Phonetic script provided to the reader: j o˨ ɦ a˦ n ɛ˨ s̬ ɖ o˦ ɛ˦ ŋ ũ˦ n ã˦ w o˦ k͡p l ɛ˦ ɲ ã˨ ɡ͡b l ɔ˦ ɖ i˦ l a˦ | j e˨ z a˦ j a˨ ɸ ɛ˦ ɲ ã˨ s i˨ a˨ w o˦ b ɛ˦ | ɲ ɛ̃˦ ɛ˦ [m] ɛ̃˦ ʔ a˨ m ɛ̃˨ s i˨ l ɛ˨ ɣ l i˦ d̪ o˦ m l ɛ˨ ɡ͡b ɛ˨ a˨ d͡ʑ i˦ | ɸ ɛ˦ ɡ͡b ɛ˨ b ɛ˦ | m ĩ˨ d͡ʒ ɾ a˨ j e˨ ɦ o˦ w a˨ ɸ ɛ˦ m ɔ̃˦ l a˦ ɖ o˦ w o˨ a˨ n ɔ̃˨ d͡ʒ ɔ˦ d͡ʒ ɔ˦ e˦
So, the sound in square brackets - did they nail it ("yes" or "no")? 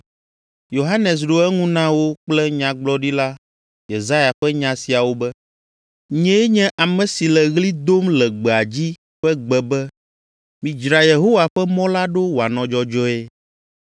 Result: no